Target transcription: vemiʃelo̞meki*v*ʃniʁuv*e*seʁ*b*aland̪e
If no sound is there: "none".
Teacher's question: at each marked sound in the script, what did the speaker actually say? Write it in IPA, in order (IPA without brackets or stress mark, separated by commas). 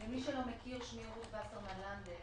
ʁ, a, m